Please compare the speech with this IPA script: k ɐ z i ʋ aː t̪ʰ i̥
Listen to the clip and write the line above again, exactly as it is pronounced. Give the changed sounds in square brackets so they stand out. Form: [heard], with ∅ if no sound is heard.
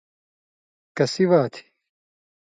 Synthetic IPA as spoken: k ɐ [s] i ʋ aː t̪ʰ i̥